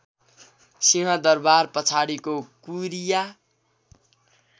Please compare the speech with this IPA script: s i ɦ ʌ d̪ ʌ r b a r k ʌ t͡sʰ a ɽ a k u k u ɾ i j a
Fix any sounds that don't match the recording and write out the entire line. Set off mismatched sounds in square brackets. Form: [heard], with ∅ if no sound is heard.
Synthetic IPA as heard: s i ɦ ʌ d̪ ʌ r b a r [p] ʌ t͡sʰ a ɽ [i] k [o] k u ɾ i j a